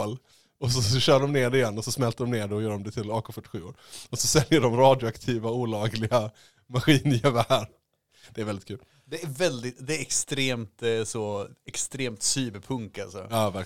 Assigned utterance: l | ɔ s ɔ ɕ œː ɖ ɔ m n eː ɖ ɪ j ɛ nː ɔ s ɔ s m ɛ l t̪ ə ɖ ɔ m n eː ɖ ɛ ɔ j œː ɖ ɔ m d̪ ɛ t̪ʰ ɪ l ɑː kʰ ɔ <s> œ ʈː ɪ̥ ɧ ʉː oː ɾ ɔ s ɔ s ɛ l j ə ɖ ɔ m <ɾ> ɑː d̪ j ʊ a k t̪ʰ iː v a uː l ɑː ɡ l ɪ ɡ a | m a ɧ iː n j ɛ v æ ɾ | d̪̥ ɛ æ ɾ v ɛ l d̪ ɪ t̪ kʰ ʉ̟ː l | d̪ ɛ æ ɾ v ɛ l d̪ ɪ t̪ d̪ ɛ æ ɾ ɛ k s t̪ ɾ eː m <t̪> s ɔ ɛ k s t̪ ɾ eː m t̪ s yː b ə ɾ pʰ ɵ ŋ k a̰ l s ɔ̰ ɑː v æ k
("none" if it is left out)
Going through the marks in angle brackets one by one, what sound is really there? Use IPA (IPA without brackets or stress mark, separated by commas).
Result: f, ɾ, t̪